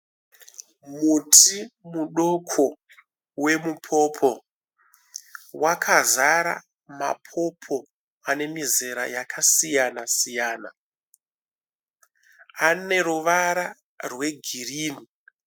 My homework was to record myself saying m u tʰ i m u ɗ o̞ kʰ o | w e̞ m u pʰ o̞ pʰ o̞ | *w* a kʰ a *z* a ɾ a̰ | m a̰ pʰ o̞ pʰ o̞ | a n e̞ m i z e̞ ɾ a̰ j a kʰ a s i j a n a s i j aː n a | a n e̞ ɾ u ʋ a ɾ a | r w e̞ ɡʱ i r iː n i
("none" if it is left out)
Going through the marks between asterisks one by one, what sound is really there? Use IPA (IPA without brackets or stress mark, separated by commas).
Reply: w, z